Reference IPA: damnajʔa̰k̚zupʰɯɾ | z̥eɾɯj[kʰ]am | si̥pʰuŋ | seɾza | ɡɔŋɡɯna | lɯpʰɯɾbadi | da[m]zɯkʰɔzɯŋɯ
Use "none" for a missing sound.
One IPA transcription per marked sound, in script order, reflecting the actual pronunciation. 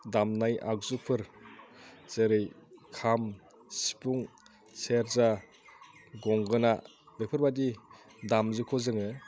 kʰ, m

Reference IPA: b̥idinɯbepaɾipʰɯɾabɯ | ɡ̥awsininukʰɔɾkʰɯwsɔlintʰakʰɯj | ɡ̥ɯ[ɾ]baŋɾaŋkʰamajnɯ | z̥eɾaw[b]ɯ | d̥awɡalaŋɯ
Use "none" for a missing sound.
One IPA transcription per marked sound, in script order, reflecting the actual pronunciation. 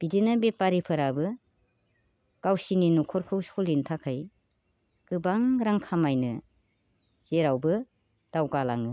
none, b

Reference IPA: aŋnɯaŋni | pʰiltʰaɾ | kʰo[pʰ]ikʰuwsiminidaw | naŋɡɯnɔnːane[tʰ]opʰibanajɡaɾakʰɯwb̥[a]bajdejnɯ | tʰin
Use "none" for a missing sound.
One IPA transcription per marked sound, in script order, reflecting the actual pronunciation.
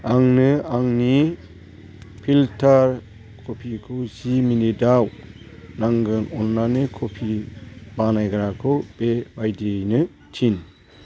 pʰ, kʰ, e

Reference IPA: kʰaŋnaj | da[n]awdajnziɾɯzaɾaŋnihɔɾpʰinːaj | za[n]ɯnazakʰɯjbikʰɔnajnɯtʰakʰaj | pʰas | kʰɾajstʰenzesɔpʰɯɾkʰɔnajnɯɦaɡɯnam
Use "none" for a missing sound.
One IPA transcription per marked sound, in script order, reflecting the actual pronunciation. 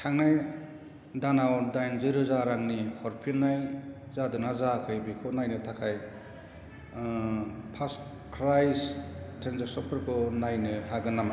n, d

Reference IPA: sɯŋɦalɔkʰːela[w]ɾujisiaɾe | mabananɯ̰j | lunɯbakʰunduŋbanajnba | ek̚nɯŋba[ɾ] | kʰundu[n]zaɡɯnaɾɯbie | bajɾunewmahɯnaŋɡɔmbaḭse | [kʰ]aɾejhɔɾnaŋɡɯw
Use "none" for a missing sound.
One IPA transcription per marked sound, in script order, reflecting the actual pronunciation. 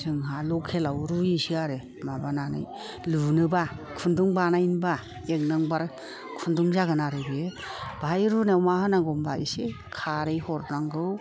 w, ɾ, ŋ, kʰ

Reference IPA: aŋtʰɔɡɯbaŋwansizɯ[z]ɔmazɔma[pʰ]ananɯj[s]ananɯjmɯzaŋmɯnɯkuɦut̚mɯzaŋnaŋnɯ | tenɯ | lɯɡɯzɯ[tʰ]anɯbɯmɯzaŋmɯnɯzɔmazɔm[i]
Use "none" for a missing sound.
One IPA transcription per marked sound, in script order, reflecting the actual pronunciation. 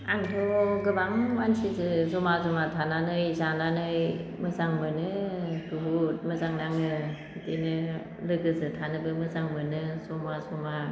z, tʰ, z, tʰ, a

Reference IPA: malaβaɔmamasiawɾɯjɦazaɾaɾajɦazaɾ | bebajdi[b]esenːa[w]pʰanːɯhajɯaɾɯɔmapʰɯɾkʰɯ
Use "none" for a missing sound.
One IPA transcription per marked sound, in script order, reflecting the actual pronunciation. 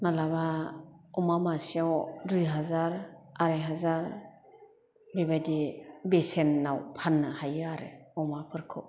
b, w

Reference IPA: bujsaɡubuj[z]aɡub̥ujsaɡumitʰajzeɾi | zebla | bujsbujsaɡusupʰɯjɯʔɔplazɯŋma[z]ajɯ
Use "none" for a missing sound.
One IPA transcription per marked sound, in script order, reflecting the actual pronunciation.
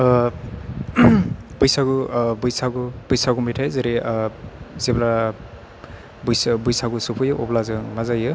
s, z

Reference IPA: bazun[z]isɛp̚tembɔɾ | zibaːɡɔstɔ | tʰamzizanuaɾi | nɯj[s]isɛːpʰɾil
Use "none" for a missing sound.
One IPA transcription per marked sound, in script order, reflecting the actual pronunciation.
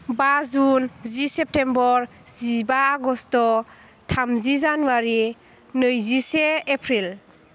z, z

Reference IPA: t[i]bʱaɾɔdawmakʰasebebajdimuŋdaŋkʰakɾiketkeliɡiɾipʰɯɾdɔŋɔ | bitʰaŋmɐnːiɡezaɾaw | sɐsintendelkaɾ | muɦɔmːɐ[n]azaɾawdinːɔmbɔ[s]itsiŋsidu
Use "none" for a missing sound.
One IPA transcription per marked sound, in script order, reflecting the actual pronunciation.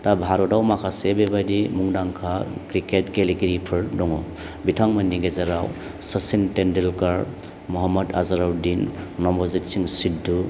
a, d, z

